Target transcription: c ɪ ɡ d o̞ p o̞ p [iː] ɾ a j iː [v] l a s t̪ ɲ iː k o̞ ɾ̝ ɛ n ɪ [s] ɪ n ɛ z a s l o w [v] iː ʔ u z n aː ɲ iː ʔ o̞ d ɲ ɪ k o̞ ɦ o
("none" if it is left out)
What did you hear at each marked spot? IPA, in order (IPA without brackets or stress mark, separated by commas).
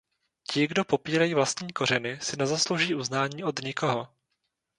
iː, v, s, ʒ